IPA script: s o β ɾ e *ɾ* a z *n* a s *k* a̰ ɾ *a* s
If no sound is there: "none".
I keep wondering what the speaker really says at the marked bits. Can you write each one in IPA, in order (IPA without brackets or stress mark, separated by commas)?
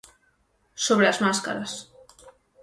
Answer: l, m, k, a